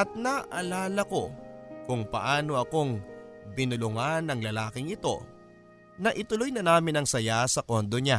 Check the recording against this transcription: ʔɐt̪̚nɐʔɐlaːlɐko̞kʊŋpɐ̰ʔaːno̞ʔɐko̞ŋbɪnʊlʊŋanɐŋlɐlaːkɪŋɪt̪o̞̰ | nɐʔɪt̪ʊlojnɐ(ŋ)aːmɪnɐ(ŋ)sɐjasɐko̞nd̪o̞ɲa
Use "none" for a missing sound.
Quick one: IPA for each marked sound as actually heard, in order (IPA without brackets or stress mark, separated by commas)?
n, ŋ